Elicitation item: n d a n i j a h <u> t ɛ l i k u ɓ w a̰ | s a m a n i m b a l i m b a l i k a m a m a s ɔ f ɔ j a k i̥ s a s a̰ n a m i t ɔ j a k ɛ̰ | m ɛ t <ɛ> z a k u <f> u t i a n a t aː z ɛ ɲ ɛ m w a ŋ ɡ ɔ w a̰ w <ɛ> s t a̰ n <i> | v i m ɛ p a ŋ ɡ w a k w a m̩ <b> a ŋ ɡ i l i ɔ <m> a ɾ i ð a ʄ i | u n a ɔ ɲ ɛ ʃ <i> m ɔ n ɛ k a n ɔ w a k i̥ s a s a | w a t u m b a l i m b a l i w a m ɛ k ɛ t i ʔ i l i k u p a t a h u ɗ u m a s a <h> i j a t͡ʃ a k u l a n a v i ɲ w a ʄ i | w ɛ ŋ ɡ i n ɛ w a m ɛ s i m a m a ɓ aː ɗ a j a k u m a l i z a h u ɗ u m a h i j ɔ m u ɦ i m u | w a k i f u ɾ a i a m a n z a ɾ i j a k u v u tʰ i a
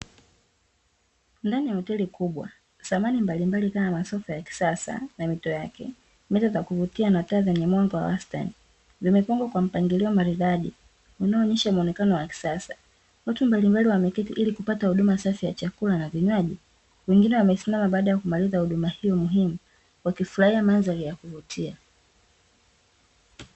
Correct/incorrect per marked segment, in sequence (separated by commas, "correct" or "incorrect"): incorrect, incorrect, incorrect, incorrect, correct, incorrect, correct, incorrect, incorrect